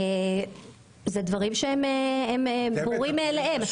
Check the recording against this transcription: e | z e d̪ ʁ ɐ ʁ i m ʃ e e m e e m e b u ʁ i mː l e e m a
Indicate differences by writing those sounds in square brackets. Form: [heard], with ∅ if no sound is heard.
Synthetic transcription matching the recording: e | z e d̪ [v] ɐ ʁ i m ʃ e e m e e m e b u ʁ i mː l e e m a